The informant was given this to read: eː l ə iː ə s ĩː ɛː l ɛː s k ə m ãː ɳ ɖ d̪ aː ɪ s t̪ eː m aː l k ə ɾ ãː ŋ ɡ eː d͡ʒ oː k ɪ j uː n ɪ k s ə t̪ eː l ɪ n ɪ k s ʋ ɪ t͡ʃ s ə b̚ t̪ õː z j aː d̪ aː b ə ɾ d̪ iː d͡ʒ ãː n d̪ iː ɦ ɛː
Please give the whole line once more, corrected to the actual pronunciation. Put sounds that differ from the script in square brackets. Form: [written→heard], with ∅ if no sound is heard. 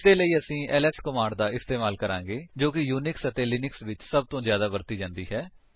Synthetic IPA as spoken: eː l ə iː ə s ĩː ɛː l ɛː s k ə m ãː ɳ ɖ d̪ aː ɪ s t̪ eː m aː l k ə ɾ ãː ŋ ɡ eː d͡ʒ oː k ɪ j uː n ɪ k s ə t̪ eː l ɪ n ɪ k s ʋ ɪ t͡ʃ s ə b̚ t̪ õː z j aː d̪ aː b ə ɾ [d̪→t̪] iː d͡ʒ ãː n d̪ iː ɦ ɛː